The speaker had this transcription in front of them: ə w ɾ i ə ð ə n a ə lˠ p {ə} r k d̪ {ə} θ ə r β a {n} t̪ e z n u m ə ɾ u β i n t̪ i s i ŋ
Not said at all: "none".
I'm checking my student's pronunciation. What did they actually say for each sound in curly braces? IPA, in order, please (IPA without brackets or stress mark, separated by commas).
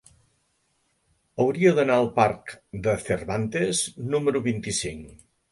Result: a, ə, n